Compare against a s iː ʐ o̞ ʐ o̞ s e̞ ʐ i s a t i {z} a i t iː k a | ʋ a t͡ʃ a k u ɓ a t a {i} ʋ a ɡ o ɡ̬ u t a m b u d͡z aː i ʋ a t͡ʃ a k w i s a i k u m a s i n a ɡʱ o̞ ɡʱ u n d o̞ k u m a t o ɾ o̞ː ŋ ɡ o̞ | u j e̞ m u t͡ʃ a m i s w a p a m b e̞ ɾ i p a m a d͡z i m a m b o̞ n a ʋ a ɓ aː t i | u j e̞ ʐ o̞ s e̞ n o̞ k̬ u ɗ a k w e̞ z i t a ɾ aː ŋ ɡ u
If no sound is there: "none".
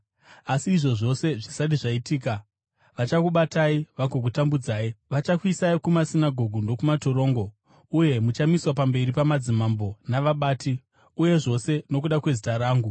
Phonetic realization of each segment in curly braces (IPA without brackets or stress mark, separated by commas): ʐ, i